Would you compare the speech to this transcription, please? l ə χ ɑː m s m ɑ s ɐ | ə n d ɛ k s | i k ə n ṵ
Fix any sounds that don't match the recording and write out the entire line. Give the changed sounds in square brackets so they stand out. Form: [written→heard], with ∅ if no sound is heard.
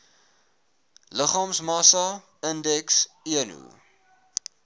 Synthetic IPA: l ə χ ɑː m s m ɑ s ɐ | ə n d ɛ k s | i [k→∅] ə n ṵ